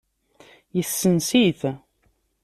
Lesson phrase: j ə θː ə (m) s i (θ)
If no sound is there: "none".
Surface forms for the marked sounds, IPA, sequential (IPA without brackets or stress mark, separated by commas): n, θ